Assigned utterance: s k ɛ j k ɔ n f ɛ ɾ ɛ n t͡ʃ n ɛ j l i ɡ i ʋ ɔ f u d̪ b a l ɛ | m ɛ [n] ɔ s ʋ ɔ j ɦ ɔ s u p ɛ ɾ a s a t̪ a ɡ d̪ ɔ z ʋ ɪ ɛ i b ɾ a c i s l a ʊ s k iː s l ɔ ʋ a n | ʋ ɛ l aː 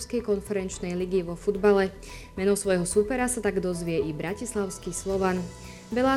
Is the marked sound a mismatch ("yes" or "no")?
no